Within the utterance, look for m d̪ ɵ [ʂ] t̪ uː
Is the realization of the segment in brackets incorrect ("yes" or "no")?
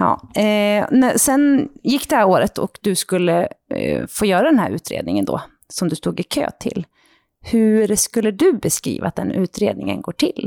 yes